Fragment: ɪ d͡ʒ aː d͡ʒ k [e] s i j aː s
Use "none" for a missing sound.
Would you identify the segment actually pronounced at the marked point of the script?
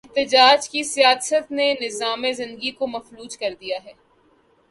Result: i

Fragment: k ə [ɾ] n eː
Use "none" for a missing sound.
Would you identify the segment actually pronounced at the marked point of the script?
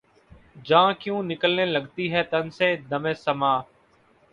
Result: l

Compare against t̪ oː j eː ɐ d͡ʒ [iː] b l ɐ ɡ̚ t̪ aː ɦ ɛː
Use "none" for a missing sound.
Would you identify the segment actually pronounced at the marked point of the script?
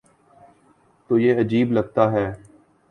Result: iː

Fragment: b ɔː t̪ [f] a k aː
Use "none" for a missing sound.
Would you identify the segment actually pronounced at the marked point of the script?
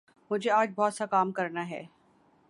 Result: s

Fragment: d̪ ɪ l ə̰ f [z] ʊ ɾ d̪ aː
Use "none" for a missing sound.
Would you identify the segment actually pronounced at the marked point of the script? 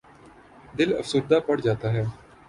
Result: s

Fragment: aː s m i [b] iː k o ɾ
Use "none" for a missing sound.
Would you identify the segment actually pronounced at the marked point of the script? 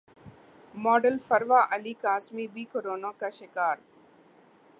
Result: b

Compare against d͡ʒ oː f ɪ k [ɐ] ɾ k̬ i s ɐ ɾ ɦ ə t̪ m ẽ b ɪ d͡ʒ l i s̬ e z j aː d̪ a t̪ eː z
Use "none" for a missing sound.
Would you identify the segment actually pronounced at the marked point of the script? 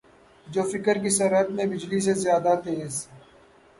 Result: ə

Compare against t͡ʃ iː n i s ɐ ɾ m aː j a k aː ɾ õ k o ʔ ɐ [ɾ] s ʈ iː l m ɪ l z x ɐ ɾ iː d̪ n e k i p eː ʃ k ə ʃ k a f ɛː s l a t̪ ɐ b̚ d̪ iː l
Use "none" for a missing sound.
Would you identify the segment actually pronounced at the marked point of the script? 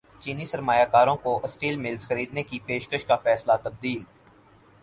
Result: none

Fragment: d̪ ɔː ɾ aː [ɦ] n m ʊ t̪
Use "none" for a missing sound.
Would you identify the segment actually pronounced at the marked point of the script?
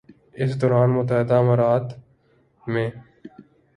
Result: none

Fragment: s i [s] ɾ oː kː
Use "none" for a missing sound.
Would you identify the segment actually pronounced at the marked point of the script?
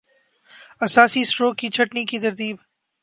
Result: s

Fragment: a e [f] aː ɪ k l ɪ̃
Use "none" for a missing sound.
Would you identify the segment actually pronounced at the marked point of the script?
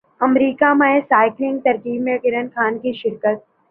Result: s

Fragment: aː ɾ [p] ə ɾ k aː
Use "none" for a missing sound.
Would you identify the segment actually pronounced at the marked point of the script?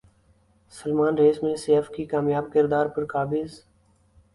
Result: p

